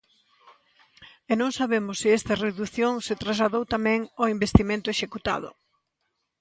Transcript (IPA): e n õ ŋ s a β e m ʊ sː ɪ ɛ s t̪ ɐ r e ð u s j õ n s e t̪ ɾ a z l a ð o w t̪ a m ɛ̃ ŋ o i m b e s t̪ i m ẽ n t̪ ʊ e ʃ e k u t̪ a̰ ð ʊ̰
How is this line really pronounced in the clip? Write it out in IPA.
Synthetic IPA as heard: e n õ ŋ s a β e m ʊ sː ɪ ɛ s t̪ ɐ r e ð u θ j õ ŋ s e t̪ ɾ a z l a ð o w t̪ a m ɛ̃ ŋ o i m b e s t̪ i m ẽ n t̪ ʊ e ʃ e k u t̪ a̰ ð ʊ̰

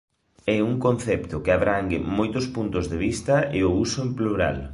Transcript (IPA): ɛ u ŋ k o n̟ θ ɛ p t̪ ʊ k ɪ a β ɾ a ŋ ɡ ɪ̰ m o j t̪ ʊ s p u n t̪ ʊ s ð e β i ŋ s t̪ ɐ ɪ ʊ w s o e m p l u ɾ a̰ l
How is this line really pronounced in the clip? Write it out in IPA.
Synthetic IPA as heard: ɛ u ŋ k o n̟ θ ɛ p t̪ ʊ k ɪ a β ɾ a ŋ ɡ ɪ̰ m o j t̪ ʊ s p u n t̪ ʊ z ð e β i s t̪ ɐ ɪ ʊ u s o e m p l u ɾ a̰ l

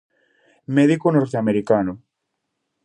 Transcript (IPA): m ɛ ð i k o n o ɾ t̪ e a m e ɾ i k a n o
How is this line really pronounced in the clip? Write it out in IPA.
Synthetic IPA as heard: m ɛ ð i k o n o ɾ t̪ e a m e ɾ i k a n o

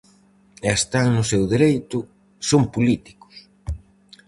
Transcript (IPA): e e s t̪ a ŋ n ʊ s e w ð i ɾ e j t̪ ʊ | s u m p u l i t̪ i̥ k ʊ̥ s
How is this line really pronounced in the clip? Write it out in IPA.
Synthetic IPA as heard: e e s t̪ a ŋ n ʊ s e w ð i ɾ e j t̪ ʊ | s o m p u l i t̪ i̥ k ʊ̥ s

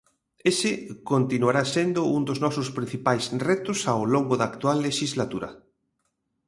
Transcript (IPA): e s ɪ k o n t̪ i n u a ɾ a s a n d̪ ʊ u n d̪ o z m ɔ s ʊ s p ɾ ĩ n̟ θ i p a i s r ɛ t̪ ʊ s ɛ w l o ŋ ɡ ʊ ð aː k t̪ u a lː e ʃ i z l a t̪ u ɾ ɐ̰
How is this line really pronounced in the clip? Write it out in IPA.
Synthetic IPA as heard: e s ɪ k o n t̪ i n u a ɾ a s e n d̪ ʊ u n d̪ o z n ɔ s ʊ s p ɾ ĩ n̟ θ i p a j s r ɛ t̪ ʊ s a w l o ŋ ɡ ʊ ð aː k t̪ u a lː e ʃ i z l a t̪ u ɾ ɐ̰

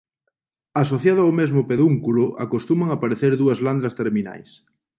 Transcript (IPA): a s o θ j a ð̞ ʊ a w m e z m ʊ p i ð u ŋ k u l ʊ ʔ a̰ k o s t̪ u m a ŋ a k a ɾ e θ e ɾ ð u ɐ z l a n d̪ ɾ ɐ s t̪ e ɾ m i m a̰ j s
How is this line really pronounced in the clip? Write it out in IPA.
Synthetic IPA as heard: a s o θ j a ð̞ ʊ a w m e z m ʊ p e ð u ŋ k u l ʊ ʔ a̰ k o s t̪ u m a ŋ a p a ɾ e θ e ɾ ð u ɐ z l a n d̪ ɾ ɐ s t̪ e ɾ m i n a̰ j s

